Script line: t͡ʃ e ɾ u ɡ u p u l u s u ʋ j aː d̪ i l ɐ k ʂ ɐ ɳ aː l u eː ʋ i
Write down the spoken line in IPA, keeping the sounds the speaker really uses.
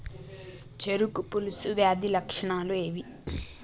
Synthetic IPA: t͡ʃ e ɾ u k u p u l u s u ʋ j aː d̪ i l ɐ k ʂ ɐ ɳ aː l u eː ʋ i